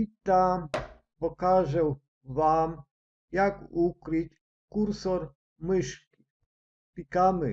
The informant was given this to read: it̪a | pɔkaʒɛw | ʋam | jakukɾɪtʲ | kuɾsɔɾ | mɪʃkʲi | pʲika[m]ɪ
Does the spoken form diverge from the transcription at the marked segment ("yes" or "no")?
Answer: no